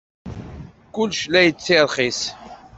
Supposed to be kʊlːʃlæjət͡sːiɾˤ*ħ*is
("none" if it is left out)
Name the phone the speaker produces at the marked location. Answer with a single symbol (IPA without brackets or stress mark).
χ